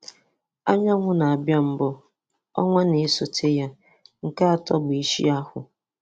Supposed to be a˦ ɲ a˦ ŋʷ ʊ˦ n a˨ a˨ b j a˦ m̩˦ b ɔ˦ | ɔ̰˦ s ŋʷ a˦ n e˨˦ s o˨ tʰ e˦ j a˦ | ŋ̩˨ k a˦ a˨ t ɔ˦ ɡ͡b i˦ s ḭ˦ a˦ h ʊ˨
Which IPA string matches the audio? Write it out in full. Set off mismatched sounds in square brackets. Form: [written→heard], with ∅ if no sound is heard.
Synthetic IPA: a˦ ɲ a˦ ŋʷ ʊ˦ n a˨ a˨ b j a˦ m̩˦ b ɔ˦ | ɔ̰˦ [s→∅] ŋʷ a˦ n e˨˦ s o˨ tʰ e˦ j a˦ | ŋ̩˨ k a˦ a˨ t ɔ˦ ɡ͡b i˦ [s→ʃ] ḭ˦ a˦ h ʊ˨